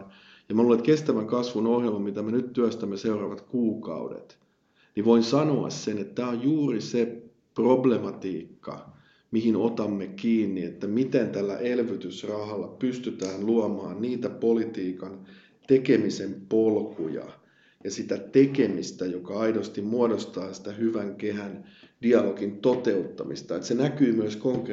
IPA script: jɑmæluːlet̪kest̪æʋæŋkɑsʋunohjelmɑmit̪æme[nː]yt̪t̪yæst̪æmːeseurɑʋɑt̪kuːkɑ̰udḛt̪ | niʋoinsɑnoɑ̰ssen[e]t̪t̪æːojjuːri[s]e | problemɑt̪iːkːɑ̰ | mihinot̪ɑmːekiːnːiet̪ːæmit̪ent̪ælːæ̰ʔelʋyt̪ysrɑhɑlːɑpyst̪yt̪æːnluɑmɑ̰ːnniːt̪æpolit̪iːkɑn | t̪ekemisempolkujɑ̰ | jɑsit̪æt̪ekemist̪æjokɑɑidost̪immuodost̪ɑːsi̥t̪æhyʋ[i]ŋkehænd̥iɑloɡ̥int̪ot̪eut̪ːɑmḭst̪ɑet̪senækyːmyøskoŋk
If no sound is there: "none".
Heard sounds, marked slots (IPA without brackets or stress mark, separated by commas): n, e, s, æ